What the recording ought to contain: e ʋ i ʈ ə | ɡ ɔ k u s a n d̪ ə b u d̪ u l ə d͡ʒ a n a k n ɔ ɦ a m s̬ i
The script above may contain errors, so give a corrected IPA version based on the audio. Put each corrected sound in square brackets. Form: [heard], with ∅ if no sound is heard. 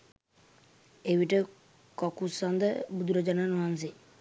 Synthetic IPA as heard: e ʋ i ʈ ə | [k] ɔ k u s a n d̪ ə b u d̪ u [ɾ] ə d͡ʒ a n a [∅] n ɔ ɦ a [n] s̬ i